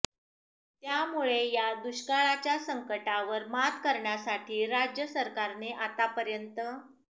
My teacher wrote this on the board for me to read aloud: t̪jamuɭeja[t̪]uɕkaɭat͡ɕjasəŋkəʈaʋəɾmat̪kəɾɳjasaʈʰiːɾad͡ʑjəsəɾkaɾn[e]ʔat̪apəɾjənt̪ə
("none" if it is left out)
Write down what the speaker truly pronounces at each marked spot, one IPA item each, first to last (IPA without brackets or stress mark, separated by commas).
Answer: d̪, e